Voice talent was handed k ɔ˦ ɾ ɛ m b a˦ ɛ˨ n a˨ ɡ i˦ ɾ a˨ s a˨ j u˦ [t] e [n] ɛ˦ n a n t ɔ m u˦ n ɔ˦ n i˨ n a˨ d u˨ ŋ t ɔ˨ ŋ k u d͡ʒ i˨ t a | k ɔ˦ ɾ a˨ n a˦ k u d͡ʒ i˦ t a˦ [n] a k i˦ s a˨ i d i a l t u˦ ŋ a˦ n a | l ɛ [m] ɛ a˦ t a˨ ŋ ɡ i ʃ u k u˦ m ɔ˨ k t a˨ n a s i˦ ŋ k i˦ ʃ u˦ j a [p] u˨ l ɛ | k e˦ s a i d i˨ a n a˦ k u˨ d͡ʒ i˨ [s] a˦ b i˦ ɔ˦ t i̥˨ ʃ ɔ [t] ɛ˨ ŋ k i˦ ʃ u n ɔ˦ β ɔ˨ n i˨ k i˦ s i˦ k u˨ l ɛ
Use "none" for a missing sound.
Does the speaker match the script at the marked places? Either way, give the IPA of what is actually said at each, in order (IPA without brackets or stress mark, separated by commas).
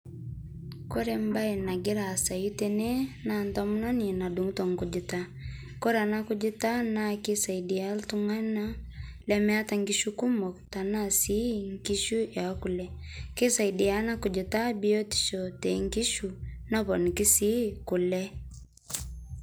t, n, n, m, k, t, t